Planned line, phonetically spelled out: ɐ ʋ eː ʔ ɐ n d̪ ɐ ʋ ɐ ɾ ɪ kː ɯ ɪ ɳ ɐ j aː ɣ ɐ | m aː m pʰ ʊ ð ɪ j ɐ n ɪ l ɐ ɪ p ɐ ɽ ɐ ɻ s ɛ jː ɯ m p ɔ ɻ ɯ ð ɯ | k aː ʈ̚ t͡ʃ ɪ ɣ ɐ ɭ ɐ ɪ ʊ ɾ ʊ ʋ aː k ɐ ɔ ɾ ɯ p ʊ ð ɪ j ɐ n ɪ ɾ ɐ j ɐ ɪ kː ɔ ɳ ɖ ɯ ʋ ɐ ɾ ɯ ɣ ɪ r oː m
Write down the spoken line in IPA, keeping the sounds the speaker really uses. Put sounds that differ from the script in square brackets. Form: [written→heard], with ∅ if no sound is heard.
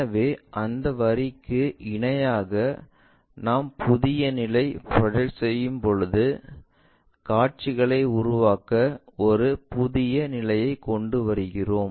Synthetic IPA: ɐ ʋ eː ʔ ɐ n d̪ ɐ ʋ ɐ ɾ ɪ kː ɯ ɪ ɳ ɐ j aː ɣ ɐ | [m→n] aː m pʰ ʊ ð ɪ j ɐ n ɪ l ɐ ɪ p ɐ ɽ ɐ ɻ s ɛ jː ɯ m p ɔ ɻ ɯ ð ɯ | k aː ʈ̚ t͡ʃ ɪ ɣ ɐ ɭ ɐ ɪ ʊ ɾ ʊ ʋ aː k ɐ ɔ ɾ ɯ p ʊ ð ɪ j ɐ n ɪ [ɾ→l] ɐ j ɐ ɪ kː ɔ ɳ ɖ ɯ ʋ ɐ ɾ ɯ ɣ ɪ r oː m